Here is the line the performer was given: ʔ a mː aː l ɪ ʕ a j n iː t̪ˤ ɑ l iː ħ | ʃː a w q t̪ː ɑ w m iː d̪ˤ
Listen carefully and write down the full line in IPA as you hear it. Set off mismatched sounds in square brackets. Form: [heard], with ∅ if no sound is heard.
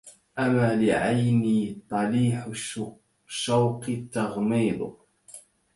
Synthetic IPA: ʔ a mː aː l ɪ ʕ a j n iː t̪ˤ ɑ l iː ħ | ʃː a w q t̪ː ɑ [ɣ] m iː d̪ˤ